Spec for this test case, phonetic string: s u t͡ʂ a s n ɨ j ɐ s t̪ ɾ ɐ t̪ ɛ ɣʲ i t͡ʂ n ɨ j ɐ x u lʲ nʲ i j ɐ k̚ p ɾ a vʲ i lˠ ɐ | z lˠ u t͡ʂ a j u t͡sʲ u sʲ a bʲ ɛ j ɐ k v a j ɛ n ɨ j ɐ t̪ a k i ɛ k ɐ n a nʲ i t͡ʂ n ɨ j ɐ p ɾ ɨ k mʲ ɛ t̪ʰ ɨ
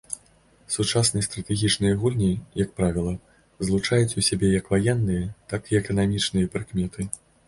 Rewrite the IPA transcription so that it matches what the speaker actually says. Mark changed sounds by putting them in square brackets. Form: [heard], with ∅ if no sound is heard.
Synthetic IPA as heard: s u t͡ʂ a s n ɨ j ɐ s t̪ ɾ ɐ t̪ ɛ ɣʲ i t͡ʂ n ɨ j ɐ [ɣ] u lʲ nʲ i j ɐ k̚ p ɾ a vʲ i lˠ ɐ | z lˠ u t͡ʂ a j u t͡sʲ u sʲ a bʲ ɛ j ɐ k v a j ɛ [nː] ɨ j ɐ t̪ a k i ɛ k ɐ n a [mʲ] i t͡ʂ n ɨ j ɐ p ɾ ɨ k mʲ ɛ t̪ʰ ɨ